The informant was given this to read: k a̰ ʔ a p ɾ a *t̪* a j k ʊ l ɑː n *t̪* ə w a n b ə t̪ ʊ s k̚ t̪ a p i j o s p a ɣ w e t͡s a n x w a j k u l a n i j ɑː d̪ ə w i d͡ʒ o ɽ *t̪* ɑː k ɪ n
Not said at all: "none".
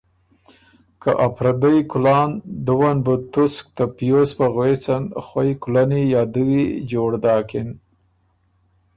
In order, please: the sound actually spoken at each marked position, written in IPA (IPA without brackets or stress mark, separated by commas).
d̪, d̪, d̪